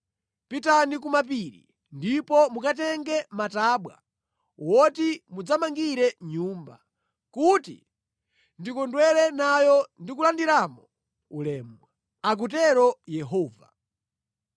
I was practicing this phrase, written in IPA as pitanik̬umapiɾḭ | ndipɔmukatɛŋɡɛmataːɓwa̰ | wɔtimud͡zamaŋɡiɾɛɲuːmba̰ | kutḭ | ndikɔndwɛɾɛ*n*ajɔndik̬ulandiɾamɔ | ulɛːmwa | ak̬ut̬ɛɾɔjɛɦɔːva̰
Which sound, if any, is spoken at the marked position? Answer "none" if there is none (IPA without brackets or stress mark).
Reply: n